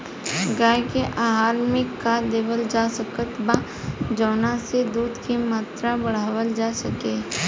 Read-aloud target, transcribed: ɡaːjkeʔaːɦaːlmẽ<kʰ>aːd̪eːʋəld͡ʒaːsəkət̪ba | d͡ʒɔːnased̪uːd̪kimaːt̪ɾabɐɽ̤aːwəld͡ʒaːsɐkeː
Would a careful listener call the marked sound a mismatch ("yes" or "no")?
yes